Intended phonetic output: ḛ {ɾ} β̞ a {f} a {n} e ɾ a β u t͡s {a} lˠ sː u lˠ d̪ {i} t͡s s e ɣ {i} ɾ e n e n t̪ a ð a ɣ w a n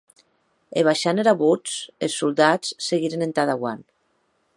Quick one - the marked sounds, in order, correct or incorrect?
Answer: incorrect: none, incorrect: ʃ, correct, incorrect: e, incorrect: a, correct

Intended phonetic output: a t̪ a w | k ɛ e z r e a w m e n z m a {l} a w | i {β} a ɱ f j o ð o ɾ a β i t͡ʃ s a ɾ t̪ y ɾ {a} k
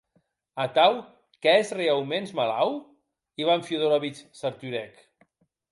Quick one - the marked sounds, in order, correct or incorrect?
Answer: correct, correct, incorrect: ɛ

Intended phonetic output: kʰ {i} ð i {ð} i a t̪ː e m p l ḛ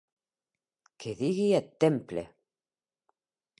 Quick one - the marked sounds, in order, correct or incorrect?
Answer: incorrect: e, incorrect: ɣ

